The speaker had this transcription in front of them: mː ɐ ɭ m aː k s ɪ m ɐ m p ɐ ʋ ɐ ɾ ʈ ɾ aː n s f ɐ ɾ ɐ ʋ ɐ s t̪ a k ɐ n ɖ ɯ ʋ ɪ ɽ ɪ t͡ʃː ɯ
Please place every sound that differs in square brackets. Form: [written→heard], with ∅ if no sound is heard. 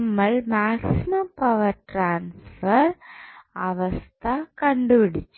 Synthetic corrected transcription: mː ɐ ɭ m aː k s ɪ m ɐ m p ɐ ʋ ɐ ɾ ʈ ɾ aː n s f ɐ ɾ ɐ ʋ ɐ s t̪ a k ɐ [n→ɳ] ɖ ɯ ʋ ɪ ɽ ɪ t͡ʃː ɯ